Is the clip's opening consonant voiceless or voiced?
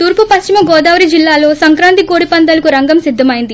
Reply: voiceless